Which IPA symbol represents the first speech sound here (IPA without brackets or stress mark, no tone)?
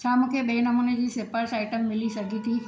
t͡ɕʰ